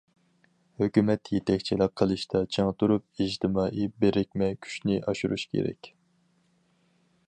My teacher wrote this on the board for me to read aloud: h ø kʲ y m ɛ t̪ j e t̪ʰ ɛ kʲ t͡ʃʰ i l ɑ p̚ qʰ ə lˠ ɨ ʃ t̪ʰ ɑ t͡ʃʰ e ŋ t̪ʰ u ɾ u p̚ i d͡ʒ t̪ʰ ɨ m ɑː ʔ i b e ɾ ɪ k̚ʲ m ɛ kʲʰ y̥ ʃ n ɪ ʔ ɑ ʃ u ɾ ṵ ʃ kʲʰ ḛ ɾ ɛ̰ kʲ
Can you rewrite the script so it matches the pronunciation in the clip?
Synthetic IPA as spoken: h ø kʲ y m ɛ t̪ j e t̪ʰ ɛ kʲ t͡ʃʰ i l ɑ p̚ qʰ ə lˠ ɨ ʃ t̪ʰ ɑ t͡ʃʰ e ŋ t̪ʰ u ɾ u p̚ i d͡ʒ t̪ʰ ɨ m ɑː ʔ i b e ɾ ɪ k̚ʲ m ɛ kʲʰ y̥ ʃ n ɪ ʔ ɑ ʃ u ɾ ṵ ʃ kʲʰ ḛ ɾ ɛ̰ kʲ